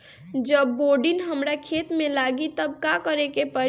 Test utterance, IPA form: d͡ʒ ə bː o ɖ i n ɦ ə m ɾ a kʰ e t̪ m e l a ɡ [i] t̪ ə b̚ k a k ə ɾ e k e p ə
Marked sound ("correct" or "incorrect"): correct